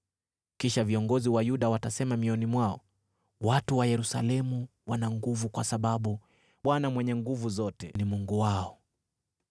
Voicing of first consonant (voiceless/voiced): voiceless